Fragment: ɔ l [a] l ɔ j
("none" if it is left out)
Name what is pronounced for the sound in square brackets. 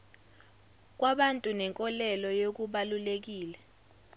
ɛ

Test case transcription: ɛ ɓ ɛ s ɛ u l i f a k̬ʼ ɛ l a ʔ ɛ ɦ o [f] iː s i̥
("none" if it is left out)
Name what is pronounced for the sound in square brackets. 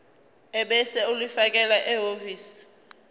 v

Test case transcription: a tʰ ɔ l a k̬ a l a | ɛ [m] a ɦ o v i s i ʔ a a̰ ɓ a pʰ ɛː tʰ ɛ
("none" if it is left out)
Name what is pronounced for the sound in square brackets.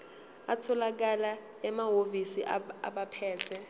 m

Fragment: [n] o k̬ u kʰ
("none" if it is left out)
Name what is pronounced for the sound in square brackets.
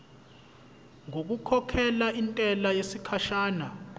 ŋ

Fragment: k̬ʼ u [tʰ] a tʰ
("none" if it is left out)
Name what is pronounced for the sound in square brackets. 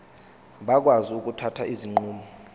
tʰ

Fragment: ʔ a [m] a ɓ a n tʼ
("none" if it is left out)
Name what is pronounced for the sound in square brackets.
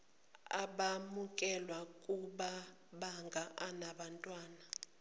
n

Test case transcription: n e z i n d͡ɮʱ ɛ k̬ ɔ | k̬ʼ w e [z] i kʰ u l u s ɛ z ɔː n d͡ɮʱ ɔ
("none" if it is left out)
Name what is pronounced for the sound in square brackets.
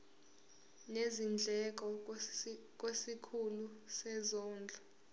s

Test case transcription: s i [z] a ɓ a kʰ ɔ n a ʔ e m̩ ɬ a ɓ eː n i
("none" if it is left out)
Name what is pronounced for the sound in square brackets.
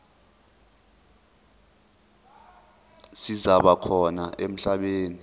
z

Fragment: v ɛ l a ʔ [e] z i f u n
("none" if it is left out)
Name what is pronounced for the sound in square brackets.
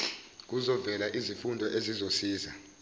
i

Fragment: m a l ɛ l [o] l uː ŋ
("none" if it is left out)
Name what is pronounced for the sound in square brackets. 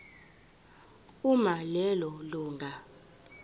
ɔ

